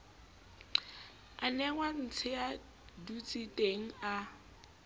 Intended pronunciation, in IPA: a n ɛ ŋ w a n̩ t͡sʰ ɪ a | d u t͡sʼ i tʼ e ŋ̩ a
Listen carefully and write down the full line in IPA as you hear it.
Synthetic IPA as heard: a n ɛ ŋ w a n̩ t͡sʰ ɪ a | d u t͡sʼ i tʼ e ŋ̩ a